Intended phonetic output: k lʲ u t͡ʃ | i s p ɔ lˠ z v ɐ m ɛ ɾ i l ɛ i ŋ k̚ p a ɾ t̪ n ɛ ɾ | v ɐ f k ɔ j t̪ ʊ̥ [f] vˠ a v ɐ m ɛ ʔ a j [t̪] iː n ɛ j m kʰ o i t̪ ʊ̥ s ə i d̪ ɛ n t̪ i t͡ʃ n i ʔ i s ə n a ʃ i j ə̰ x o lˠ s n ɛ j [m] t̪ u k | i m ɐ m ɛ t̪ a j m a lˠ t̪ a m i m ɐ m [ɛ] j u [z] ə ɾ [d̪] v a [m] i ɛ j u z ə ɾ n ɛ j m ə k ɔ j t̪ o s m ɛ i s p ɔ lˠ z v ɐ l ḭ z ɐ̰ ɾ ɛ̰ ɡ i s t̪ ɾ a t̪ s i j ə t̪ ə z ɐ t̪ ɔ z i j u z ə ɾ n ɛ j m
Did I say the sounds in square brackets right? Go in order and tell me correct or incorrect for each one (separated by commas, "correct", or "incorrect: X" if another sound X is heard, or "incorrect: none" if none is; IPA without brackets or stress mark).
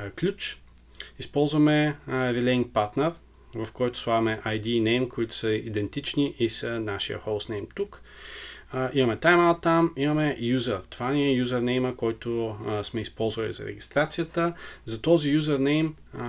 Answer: incorrect: s, incorrect: d̪, correct, correct, correct, incorrect: t̪, incorrect: n